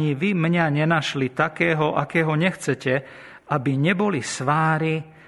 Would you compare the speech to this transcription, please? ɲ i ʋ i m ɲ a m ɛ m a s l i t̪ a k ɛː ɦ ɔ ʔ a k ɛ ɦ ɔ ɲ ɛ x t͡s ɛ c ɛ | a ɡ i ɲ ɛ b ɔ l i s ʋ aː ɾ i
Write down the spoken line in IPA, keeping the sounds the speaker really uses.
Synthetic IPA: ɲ i ʋ i m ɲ a ɲ ɛ n a ʃ l i t̪ a k ɛː ɦ ɔ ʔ a k ɛː ɦ ɔ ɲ ɛ x t͡s ɛ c ɛ | a b i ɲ ɛ b ɔ l i s ʋ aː ɾ i